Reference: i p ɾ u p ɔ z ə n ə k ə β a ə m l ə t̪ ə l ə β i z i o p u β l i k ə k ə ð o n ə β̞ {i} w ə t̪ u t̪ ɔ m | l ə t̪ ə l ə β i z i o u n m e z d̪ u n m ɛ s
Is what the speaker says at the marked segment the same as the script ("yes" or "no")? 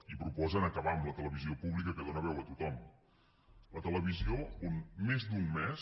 no